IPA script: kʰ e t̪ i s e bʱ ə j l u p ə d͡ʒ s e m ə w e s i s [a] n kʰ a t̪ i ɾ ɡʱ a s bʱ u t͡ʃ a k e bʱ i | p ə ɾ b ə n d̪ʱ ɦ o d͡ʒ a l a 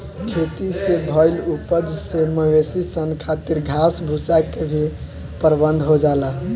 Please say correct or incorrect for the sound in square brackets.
incorrect